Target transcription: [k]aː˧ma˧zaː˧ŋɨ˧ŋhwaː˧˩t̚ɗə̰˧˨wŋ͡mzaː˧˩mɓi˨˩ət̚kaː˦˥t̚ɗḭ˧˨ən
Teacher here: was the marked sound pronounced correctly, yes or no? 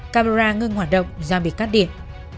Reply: yes